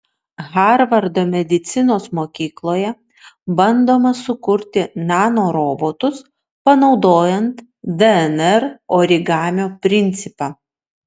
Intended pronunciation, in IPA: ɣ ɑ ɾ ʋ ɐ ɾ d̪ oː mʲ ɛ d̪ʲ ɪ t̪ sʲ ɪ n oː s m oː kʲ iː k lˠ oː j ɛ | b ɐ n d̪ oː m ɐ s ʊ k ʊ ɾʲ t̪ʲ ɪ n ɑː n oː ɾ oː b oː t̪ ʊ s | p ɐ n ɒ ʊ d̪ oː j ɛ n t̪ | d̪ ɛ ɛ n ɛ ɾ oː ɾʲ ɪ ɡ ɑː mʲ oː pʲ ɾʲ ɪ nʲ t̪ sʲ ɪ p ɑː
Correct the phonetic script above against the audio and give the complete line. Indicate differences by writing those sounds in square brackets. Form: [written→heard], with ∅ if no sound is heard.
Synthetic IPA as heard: ɣ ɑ ɾ ʋ ɐ ɾ d̪ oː mʲ ɛ d̪ʲ ɪ t̪ sʲ ɪ n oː s m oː kʲ iː k lˠ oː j ɛ | b ɐ n d̪ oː m ɐ s ʊ k ʊ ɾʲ t̪ʲ ɪ n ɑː n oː ɾ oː b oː t̪ ʊ s | p ɐ n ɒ ʊ d̪ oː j ɛ n t̪ | d̪ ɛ ɛ n ɛ ɾ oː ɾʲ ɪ ɡ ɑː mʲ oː pʲ ɾʲ ɪ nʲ t̪ sʲ ɪ p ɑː